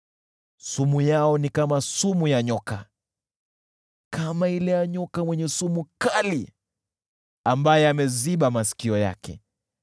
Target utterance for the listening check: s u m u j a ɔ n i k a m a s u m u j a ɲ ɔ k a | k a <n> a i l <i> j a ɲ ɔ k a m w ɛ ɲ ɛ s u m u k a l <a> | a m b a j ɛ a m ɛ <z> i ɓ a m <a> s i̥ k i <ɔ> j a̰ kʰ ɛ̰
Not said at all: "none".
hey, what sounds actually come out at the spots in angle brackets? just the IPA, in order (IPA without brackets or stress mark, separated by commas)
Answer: m, ɛ, i, z, a, ɔ